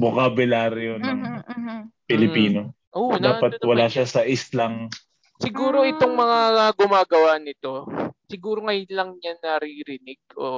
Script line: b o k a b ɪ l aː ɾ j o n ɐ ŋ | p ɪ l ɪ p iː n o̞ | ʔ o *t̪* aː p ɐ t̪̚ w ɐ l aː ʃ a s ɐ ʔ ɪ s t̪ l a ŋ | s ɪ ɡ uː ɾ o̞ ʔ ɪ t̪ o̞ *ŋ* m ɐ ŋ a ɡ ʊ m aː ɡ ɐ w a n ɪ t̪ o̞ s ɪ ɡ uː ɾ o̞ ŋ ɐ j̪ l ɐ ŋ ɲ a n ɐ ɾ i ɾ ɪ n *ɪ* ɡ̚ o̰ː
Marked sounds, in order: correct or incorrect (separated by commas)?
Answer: incorrect, correct, correct